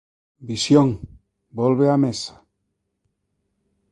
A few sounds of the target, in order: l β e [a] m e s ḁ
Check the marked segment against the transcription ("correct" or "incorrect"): correct